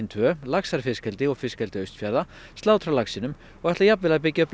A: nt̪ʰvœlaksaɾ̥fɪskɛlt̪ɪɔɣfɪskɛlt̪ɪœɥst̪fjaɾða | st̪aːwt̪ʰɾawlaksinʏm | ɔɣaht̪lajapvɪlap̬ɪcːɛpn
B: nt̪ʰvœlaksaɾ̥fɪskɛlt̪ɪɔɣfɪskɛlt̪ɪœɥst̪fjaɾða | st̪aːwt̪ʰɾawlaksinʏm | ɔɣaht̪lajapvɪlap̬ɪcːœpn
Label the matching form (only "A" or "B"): B